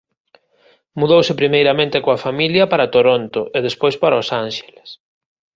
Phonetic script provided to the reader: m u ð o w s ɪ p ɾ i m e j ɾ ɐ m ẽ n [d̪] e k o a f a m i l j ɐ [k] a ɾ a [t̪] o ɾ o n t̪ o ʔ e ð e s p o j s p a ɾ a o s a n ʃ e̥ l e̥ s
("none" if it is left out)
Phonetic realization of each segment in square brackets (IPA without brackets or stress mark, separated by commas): t̪, p, t̪